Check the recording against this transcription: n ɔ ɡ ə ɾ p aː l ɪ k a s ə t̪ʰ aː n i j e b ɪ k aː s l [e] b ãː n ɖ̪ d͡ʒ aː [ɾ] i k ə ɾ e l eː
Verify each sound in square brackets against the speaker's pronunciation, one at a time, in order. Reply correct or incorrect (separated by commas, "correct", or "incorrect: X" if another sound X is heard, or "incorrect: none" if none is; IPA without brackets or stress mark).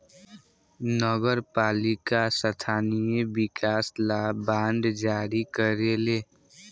incorrect: a, correct